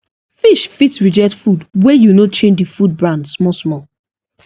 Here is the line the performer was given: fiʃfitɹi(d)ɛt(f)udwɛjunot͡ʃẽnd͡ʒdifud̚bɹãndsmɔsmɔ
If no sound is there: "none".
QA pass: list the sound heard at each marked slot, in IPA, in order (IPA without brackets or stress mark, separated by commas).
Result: d͡ʒ, f